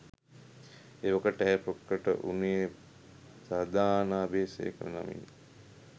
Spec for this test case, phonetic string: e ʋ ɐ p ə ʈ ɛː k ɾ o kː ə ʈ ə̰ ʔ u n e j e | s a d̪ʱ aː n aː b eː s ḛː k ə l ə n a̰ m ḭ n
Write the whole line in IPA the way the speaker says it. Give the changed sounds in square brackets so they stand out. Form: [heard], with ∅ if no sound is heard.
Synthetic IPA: e ʋ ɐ [k] ə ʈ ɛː [p] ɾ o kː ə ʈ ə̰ ʔ u n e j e | s a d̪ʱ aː n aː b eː s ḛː k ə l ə n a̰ m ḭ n

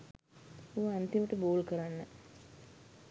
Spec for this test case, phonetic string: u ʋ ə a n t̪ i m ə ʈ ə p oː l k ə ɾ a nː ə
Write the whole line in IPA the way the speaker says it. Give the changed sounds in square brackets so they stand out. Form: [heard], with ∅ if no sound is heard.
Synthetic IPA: u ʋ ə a n t̪ i m ə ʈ ə [b] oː l k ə ɾ a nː ə

